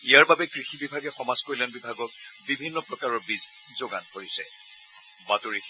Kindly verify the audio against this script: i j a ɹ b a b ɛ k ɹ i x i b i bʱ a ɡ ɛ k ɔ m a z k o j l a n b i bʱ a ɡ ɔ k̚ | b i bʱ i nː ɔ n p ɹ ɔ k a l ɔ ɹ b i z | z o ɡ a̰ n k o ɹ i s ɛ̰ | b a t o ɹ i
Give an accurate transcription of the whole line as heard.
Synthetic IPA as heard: i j a ɹ b a b ɛ k ɹ i x i b i bʱ a ɡ ɛ x ɔ m a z k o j l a n b i bʱ a ɡ ɔ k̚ | b i bʱ i nː ɔ p ɹ ɔ k a ɹ ɔ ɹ b i z | z o ɡ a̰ n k o ɹ i s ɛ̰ | b a t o ɹ i